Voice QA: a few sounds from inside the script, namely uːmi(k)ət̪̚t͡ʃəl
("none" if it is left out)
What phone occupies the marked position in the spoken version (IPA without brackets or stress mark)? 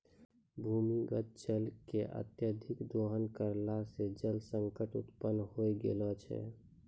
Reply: ɡ